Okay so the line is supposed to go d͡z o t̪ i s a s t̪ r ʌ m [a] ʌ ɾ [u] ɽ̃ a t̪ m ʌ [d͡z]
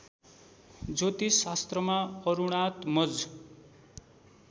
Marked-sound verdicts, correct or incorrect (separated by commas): correct, correct, correct